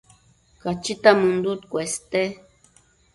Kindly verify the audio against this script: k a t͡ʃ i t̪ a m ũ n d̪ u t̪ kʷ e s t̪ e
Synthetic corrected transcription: k a t͡ʃ i t̪ a m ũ n d̪ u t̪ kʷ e s t̪ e